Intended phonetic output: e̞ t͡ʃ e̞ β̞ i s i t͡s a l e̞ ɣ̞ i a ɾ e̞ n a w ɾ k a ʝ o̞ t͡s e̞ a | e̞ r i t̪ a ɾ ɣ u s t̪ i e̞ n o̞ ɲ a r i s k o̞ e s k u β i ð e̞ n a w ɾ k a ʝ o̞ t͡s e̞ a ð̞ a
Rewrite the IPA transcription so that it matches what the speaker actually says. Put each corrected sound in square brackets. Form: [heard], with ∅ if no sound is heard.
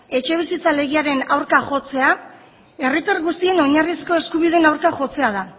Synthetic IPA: e̞ t͡ʃ e̞ β̞ i s i t͡s a l e̞ ɣ̞ i a ɾ e̞ n a w ɾ k a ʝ o̞ t͡s e̞ a | e̞ r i t̪ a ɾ ɣ u s t̪ i e̞ n o̞ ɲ a r i s k o̞ e s k u β i ð e̞ n a w ɾ k a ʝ o̞ t͡s e̞ a ð̞ a